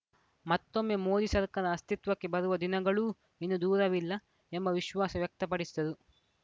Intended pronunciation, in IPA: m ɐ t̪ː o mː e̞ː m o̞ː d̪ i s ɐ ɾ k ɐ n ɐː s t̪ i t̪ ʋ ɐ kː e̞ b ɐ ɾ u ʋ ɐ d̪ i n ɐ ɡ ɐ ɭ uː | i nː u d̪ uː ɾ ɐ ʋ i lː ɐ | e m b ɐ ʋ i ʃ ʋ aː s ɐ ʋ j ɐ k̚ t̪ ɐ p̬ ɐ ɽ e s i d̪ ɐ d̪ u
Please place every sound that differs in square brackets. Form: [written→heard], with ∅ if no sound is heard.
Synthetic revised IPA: m ɐ t̪ː o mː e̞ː m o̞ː d̪ i s ɐ ɾ k ɐ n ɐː s t̪ i t̪ ʋ ɐ kː e̞ b ɐ ɾ u ʋ ɐ d̪ i n ɐ ɡ ɐ ɭ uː | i nː u d̪ uː ɾ ɐ ʋ i lː ɐ | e m b ɐ ʋ i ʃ ʋ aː s ɐ ʋ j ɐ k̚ t̪ ɐ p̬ ɐ ɽ [e→i] s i d̪ ɐ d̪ u